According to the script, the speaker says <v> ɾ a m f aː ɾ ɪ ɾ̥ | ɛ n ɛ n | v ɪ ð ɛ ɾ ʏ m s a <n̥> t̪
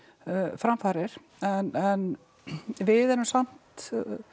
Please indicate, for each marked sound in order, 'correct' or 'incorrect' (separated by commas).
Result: incorrect, incorrect